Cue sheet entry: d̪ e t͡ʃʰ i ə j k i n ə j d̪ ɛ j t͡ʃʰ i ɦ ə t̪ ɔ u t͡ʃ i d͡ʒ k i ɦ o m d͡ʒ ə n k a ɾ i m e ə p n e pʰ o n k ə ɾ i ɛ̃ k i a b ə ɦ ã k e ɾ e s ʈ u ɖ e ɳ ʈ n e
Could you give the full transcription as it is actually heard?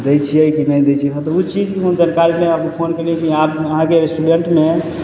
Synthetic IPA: d̪ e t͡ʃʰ i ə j k i n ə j d̪ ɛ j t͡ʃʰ i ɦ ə t̪ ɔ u t͡ʃ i d͡ʒ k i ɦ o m d͡ʒ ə n k a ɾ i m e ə p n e pʰ o n k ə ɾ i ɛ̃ k i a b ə ɦ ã k e ɾ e s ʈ u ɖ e ɳ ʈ m e